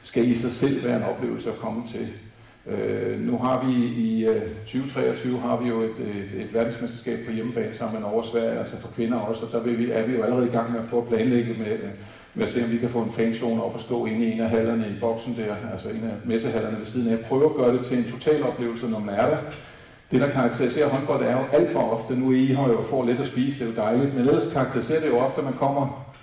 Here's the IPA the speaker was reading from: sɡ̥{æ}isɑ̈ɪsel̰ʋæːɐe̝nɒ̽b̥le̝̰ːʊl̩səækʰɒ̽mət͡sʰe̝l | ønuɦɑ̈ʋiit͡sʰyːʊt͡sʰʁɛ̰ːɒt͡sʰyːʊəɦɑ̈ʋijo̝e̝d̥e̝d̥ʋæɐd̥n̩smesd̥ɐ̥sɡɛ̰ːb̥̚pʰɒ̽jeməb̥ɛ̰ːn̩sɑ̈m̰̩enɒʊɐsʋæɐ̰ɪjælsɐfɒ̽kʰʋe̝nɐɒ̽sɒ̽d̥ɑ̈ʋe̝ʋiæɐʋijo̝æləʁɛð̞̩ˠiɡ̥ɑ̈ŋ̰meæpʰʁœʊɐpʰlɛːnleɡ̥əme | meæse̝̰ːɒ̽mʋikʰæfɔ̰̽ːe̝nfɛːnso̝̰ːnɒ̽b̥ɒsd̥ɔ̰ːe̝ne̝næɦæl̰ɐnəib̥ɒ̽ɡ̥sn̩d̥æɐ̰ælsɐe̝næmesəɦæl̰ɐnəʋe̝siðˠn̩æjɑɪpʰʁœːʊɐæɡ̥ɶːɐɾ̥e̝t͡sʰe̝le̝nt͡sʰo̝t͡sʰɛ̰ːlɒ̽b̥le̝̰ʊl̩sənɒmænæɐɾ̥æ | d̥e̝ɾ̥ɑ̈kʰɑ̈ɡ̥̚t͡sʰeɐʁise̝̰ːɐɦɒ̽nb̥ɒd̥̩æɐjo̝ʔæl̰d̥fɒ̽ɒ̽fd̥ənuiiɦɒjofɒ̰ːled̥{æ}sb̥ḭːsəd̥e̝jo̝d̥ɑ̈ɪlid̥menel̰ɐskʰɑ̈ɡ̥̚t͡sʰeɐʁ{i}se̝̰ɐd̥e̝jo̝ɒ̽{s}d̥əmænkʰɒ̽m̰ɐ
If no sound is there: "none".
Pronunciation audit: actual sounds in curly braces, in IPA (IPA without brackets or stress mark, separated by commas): æ, æ, i, f